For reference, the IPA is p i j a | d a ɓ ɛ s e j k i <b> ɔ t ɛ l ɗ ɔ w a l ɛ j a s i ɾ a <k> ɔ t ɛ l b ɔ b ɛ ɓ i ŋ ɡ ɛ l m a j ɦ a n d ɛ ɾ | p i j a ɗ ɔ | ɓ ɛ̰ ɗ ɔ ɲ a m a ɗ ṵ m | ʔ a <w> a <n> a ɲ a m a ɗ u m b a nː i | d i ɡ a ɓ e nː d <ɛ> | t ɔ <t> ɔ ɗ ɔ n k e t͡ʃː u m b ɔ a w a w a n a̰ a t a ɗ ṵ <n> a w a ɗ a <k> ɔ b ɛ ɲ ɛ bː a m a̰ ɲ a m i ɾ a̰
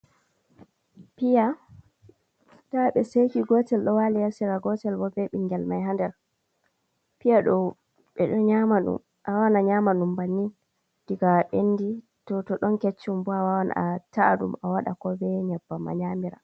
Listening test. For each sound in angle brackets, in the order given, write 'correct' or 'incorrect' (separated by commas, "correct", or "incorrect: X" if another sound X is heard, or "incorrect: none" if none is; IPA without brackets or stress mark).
incorrect: ɡ, incorrect: ɡ, correct, correct, incorrect: i, correct, incorrect: m, correct